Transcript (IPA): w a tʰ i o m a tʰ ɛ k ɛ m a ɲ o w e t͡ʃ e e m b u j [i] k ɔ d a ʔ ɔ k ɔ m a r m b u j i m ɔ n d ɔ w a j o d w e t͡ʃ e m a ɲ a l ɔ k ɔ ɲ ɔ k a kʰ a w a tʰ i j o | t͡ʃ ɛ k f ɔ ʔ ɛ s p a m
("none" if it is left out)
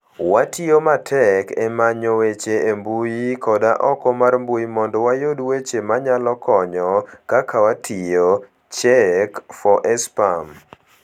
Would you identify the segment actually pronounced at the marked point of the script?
i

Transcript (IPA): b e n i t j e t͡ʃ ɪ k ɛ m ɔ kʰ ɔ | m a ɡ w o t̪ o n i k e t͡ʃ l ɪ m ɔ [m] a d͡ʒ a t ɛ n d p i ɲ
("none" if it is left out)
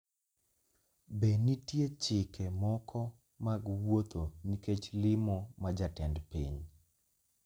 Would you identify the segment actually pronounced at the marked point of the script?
m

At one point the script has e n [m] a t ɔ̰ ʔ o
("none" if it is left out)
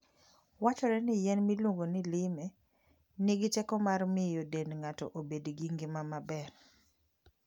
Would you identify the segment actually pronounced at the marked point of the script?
ŋ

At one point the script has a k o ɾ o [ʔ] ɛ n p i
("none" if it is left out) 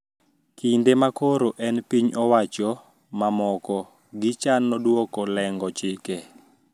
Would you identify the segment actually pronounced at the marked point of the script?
ʔ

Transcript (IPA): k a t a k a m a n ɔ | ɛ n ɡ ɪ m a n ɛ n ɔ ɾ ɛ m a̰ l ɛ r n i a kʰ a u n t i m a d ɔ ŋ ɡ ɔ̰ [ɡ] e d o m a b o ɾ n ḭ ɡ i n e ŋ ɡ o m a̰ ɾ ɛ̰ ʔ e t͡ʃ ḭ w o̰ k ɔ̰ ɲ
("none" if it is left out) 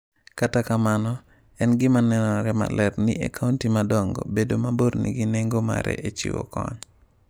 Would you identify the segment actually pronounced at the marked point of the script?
b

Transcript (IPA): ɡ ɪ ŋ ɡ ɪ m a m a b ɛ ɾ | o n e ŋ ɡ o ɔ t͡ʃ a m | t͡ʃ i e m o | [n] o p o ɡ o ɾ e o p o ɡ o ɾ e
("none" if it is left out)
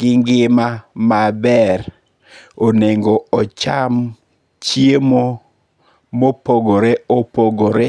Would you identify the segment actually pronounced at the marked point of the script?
m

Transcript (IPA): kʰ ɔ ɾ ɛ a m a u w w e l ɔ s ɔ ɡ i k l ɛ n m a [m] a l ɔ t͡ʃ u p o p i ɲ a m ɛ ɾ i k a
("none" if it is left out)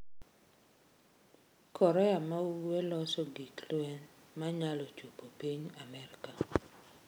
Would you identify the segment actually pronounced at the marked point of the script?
ɲ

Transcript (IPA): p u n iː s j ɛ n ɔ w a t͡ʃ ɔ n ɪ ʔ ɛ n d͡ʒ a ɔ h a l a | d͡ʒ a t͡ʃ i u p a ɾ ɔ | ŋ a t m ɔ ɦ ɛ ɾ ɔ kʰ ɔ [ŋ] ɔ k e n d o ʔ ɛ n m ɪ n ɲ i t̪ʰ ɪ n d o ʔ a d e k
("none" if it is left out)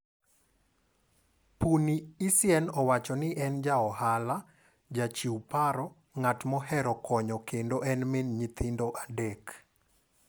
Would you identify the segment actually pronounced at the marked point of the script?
ɲ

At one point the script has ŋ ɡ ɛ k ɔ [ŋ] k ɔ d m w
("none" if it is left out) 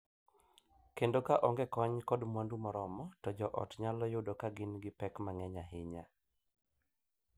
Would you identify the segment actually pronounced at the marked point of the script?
ɲ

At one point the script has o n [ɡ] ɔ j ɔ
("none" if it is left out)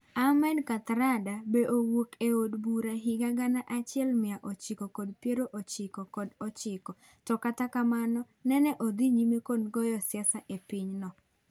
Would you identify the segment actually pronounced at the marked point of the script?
ɡ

